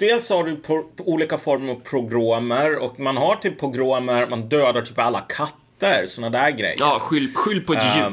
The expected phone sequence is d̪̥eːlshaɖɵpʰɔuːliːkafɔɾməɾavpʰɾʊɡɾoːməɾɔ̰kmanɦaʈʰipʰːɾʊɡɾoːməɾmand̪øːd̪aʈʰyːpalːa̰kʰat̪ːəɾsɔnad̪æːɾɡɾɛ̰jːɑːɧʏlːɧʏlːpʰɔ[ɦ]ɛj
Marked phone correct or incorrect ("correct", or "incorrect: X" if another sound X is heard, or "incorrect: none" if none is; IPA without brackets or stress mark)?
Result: incorrect: none